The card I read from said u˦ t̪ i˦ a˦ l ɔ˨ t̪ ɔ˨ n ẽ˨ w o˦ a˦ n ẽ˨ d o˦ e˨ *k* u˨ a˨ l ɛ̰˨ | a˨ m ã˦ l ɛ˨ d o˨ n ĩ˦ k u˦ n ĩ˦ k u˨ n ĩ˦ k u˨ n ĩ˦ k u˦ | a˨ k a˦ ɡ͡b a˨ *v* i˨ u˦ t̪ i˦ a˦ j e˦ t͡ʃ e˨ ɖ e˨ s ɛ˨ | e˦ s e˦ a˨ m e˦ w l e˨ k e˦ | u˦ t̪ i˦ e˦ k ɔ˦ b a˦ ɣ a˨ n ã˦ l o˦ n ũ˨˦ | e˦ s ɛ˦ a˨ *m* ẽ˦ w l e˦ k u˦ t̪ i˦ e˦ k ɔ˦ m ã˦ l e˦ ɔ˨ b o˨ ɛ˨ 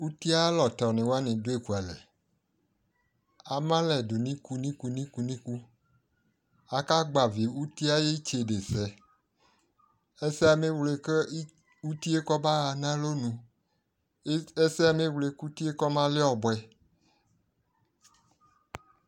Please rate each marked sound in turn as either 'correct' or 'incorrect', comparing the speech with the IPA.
correct, correct, correct

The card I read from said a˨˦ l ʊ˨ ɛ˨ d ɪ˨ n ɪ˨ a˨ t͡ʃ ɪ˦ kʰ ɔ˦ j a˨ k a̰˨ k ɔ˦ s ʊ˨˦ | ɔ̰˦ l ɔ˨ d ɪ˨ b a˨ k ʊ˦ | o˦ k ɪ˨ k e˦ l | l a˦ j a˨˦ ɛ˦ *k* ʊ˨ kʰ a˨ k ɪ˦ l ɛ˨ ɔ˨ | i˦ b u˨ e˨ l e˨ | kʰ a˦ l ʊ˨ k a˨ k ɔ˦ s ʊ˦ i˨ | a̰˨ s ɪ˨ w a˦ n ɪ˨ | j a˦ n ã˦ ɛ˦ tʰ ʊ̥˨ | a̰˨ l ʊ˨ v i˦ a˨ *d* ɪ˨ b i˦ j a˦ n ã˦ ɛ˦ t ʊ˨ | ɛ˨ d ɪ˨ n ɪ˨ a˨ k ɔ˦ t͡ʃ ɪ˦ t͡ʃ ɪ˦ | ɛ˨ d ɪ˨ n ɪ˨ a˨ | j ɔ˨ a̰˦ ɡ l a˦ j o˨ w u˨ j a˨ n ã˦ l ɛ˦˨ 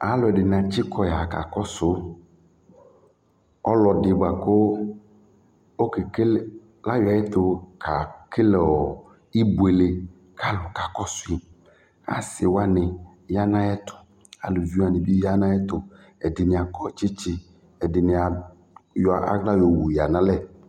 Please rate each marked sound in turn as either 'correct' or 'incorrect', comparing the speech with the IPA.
incorrect: t, incorrect: n

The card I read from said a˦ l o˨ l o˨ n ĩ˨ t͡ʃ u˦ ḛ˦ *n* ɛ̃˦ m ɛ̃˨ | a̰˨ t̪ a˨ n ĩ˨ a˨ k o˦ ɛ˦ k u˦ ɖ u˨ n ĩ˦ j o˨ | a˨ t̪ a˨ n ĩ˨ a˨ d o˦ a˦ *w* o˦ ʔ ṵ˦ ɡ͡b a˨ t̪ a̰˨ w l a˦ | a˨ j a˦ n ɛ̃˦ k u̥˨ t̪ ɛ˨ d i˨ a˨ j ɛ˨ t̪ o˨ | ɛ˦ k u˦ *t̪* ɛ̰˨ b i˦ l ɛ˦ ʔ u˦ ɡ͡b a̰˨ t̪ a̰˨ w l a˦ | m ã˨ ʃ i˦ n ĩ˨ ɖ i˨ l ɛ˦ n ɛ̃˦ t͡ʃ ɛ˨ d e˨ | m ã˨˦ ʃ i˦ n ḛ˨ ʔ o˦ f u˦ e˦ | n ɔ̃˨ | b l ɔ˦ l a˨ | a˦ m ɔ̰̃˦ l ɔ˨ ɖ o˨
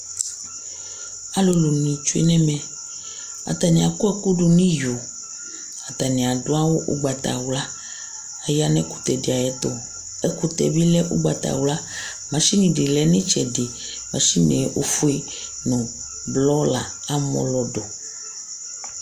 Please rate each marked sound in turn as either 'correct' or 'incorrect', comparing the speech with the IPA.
correct, correct, correct

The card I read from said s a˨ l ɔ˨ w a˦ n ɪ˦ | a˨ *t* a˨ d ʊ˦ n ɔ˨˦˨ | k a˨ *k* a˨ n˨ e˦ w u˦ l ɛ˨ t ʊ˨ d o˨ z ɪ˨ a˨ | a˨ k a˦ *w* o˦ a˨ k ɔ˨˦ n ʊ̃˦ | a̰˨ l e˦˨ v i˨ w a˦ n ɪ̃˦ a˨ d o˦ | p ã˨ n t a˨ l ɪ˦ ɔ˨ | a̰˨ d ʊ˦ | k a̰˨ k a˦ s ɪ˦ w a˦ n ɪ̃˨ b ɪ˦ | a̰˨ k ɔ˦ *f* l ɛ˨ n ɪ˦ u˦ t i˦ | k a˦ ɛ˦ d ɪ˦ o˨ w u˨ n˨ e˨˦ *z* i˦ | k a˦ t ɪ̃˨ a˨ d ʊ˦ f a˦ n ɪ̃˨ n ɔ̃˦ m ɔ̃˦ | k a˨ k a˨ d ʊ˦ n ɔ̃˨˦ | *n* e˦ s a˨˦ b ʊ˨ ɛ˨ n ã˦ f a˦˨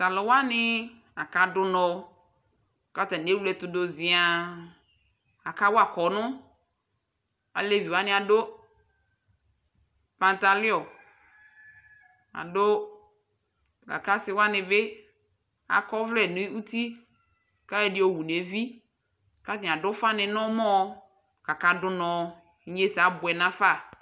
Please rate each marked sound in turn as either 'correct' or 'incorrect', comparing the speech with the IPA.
incorrect: k, incorrect: t, correct, incorrect: v, incorrect: v, incorrect: ɲ

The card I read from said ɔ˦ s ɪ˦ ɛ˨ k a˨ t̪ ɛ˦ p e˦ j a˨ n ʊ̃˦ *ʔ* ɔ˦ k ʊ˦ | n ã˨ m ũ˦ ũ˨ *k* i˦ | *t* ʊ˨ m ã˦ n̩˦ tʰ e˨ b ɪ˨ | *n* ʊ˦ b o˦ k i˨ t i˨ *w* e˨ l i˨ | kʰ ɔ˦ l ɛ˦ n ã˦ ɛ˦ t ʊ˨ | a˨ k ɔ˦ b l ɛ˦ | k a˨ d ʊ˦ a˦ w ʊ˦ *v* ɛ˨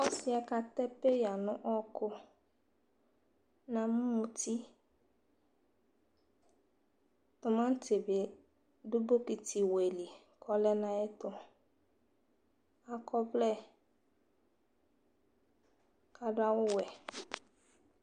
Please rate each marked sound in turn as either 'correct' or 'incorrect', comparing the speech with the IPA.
correct, incorrect: t, correct, incorrect: d, correct, incorrect: w

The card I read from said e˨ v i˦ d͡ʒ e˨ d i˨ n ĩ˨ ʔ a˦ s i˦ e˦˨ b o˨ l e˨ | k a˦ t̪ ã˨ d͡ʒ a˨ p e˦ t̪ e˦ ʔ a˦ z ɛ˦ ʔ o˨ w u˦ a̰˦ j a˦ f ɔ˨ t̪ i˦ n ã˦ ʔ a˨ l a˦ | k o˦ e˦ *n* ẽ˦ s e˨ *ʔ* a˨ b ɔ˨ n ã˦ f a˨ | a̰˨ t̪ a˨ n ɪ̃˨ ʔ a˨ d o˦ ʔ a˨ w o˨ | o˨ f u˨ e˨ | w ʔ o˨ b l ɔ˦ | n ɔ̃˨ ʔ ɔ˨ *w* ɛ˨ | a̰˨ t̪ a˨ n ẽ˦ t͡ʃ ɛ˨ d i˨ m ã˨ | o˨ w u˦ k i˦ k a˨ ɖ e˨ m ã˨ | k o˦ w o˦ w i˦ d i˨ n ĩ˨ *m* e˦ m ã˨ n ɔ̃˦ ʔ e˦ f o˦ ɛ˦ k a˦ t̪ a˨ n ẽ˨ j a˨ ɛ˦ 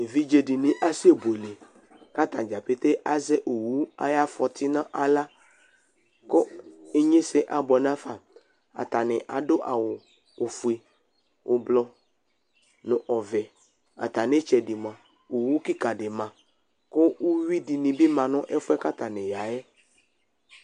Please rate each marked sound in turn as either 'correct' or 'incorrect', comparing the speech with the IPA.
incorrect: ɲ, correct, incorrect: v, incorrect: b

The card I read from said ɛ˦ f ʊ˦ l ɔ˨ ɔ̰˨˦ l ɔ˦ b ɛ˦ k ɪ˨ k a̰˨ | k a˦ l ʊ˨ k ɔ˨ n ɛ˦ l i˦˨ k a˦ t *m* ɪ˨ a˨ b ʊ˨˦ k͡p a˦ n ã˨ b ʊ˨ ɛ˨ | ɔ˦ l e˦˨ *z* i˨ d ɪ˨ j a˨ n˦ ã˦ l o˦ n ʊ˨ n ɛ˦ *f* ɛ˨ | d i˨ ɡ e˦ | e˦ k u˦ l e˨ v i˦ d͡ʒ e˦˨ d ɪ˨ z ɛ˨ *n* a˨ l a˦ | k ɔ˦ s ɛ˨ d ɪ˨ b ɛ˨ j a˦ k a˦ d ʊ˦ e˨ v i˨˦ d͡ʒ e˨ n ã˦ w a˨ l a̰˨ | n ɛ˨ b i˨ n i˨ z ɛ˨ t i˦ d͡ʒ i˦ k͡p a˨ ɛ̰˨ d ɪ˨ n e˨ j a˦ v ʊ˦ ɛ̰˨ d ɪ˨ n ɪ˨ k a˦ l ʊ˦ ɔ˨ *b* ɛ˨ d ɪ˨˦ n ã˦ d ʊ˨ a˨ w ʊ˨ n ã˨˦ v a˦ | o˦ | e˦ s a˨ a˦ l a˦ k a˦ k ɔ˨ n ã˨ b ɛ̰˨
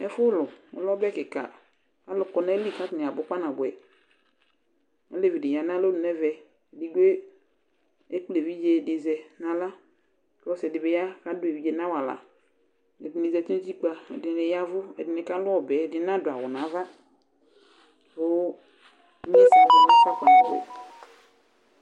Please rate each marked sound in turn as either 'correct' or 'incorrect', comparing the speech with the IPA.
incorrect: n, incorrect: v, incorrect: v, correct, correct

